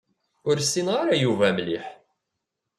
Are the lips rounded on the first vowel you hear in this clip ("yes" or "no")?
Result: yes